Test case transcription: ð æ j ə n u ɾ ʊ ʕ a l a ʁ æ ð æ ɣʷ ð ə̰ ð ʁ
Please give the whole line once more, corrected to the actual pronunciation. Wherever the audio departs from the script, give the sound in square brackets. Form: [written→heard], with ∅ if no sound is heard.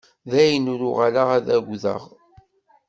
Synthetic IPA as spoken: ð æ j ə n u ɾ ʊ [ʕ→ʁ] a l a ʁ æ ð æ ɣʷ ð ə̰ [ð→∅] ʁ